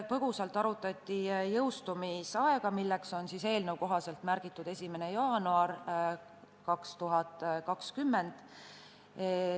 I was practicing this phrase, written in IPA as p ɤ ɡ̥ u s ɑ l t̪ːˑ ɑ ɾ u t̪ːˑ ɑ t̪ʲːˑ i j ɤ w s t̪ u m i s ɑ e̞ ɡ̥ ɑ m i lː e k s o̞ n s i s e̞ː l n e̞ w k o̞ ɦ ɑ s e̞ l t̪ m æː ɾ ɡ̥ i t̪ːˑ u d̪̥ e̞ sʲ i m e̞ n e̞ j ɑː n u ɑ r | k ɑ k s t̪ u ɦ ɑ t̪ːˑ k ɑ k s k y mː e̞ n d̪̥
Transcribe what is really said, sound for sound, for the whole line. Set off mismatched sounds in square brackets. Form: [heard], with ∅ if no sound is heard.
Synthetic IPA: p ɤ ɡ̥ u s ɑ l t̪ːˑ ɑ ɾ u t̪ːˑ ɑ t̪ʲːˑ i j ɤ w s t̪ u m i s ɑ e̞ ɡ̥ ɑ m i lː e k s o̞ n s i s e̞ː l n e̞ w k o̞ ɦ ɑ s e̞ l t̪ m [æ] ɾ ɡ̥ i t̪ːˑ u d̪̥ e̞ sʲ i m e̞ n e̞ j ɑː n u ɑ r | k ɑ k s t̪ u ɦ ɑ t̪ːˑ k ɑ k s k y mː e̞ n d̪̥